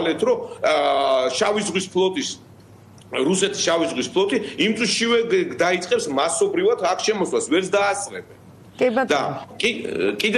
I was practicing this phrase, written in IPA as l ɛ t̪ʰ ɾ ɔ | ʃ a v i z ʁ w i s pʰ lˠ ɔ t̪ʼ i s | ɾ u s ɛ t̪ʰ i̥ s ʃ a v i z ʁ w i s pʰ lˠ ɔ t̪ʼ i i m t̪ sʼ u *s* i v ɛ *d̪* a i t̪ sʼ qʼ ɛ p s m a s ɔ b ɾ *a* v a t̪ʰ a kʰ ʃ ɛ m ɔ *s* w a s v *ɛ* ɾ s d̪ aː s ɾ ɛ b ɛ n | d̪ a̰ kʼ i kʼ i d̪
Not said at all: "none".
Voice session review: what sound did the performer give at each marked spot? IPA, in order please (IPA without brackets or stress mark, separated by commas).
ʃ, d̪, i, s, ɛ